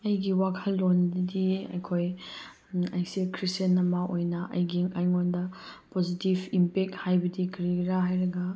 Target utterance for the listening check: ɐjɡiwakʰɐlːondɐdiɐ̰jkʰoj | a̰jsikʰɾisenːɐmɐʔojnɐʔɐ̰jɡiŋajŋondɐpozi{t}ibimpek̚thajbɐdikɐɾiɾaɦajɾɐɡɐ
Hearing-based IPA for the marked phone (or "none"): t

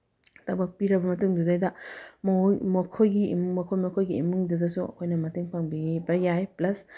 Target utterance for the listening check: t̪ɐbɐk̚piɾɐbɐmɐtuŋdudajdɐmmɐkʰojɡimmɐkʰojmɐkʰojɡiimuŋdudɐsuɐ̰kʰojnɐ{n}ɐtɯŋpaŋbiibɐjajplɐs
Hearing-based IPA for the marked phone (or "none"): m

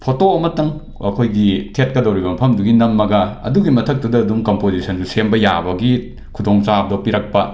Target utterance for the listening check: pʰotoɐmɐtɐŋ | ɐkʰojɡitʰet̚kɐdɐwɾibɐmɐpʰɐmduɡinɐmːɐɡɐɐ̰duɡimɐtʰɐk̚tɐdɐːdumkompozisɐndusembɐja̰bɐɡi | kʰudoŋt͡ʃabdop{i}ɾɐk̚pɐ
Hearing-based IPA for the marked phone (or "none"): i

